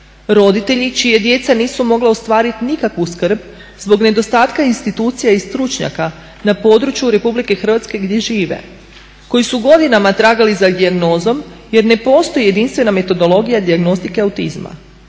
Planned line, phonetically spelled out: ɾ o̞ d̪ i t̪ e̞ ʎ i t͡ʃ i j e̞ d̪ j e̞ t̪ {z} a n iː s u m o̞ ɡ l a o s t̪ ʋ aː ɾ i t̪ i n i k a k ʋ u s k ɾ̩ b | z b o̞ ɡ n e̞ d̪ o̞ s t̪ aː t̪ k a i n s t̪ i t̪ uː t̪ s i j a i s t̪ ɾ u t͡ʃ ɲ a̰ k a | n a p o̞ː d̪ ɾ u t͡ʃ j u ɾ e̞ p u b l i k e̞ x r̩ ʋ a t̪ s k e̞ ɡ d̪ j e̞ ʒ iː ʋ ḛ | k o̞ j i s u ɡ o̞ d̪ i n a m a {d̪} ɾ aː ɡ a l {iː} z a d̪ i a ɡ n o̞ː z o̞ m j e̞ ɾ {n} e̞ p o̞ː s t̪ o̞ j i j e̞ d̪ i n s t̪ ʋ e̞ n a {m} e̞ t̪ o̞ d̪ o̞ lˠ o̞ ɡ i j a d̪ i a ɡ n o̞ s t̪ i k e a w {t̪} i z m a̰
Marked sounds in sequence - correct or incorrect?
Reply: incorrect, incorrect, incorrect, correct, correct, correct

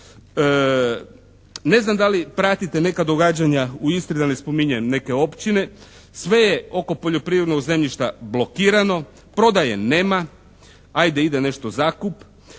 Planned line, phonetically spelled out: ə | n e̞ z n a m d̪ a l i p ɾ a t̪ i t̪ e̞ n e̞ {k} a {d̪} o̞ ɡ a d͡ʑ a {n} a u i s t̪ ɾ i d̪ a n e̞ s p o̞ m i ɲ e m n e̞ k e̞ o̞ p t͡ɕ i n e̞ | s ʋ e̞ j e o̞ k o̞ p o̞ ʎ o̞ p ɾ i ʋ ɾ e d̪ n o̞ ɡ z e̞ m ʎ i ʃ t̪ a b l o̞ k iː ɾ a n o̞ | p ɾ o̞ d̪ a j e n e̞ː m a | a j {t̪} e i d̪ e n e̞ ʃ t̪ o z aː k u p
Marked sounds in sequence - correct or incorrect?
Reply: correct, correct, incorrect, incorrect

